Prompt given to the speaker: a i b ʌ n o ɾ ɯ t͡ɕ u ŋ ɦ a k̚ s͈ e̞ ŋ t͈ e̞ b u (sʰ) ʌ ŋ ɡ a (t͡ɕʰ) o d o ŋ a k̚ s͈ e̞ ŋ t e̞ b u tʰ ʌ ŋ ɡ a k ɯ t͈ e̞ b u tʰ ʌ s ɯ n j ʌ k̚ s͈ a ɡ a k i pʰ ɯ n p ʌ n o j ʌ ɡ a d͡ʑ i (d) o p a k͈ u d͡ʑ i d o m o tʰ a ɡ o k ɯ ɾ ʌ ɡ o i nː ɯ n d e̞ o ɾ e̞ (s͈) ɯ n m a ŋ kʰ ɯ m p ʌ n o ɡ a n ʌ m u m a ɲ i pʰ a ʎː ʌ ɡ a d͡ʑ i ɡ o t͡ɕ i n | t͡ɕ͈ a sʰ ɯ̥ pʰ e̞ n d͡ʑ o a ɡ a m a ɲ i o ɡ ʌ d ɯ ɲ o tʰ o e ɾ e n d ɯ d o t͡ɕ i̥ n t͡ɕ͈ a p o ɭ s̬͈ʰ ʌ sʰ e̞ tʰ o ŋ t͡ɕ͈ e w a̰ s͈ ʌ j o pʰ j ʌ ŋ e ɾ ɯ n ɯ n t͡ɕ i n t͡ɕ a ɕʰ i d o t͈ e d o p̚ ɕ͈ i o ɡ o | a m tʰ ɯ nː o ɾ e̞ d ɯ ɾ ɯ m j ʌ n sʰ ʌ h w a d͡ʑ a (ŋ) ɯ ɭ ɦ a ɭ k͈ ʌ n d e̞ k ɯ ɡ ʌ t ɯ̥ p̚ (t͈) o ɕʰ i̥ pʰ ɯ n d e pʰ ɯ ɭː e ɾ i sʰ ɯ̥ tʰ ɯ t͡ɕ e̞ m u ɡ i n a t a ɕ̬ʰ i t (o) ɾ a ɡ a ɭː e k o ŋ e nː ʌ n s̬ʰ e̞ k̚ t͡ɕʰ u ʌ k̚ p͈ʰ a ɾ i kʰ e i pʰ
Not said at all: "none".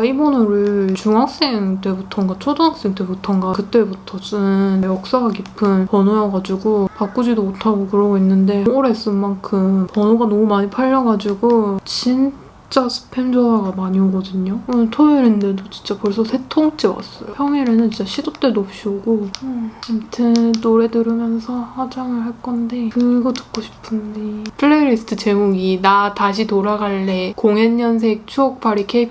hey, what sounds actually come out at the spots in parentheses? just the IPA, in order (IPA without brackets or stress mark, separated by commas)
tʰ, t͡ɕʰ, ɡ, s͈, ŋ, k͈, o